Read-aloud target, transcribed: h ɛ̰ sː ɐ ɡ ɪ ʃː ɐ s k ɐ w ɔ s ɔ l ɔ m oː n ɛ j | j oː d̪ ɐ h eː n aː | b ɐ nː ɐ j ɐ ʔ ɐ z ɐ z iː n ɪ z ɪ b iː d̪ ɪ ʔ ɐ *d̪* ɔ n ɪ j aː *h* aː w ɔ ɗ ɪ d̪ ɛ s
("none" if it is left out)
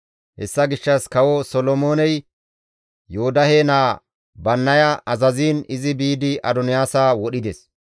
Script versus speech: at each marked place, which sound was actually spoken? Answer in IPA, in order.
d̪, s

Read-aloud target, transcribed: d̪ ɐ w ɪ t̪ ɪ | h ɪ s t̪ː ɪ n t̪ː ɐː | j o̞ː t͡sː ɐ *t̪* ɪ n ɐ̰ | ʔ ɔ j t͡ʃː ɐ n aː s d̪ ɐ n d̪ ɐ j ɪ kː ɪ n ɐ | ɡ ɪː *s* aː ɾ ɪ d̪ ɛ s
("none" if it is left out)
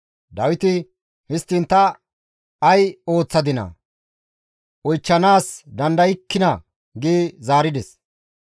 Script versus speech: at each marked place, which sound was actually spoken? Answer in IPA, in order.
d̪, z

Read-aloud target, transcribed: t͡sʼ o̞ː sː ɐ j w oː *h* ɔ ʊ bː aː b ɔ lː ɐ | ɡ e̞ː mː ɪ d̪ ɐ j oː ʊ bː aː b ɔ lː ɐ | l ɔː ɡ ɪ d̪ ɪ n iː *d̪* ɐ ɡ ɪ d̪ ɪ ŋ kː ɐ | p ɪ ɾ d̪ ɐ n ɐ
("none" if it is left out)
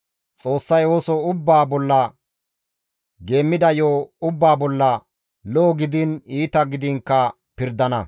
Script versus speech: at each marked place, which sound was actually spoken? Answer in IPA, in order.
s, t̪

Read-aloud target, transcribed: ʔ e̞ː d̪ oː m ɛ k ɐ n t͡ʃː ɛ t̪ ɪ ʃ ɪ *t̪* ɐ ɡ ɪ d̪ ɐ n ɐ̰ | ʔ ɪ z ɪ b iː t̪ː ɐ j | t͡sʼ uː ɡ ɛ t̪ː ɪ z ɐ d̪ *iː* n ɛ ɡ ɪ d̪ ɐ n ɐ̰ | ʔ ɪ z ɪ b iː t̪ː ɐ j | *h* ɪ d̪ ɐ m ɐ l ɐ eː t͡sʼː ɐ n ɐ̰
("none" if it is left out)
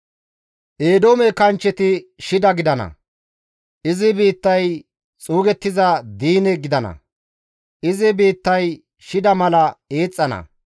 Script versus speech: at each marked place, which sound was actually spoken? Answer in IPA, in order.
d̪, iː, ʃ

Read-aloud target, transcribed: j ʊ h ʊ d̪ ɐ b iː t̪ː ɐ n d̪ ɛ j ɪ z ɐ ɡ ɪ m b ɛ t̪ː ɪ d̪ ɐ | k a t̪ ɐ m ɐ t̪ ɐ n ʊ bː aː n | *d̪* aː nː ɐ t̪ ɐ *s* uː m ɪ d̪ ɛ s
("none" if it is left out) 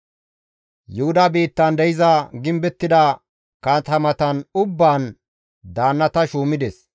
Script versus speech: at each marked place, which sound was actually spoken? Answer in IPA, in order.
d̪, ʃ

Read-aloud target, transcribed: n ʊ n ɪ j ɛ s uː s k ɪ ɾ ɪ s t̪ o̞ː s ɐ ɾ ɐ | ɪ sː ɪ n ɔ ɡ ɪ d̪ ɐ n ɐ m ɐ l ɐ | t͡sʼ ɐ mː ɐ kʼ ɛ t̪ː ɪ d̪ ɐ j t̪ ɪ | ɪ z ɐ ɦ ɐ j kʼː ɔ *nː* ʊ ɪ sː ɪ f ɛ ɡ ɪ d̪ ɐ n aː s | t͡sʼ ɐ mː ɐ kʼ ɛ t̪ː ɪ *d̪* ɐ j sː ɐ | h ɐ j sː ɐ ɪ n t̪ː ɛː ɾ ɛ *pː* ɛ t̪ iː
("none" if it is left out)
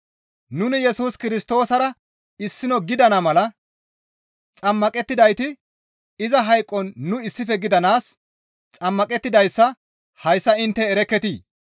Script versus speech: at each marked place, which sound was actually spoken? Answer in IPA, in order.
nː, d̪, kː

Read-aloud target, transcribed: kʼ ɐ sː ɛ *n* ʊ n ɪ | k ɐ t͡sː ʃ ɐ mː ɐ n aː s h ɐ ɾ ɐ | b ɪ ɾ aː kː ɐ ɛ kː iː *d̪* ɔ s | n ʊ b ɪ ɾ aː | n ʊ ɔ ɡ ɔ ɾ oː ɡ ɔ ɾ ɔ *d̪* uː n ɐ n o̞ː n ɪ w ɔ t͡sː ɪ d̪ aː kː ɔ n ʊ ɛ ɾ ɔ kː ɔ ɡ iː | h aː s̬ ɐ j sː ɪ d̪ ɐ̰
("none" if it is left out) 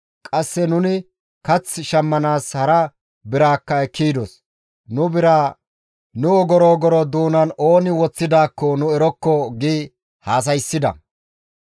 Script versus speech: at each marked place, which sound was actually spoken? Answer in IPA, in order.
n, d̪, d̪

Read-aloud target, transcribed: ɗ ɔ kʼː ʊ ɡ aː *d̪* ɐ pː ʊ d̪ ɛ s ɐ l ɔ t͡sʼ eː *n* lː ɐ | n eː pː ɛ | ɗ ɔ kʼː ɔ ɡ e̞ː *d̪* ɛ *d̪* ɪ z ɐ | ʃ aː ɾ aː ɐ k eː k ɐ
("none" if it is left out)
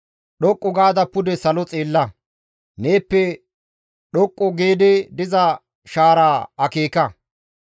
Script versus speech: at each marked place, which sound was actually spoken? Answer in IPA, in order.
d̪, none, d̪, d̪

